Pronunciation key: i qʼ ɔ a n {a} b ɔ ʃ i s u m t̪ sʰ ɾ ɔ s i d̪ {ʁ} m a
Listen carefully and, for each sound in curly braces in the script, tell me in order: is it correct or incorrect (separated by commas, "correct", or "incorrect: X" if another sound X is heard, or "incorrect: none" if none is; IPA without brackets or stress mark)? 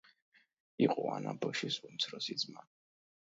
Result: correct, incorrect: z